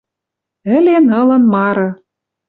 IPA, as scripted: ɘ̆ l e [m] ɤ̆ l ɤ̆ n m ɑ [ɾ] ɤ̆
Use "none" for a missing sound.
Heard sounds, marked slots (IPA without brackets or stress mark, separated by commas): n, ɾ